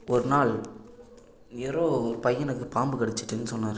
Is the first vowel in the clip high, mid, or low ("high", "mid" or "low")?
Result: mid